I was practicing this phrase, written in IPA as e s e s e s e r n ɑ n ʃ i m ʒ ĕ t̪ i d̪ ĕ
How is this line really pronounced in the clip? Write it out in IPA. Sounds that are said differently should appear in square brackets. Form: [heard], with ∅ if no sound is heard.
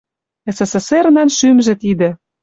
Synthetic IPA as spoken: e s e s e s e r n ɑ n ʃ [y] m ʒ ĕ t̪ i d̪ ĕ